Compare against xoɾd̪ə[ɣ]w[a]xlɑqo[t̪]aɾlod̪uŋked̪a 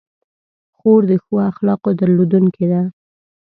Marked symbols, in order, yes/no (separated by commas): no, yes, no